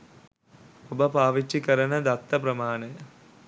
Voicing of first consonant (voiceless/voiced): voiced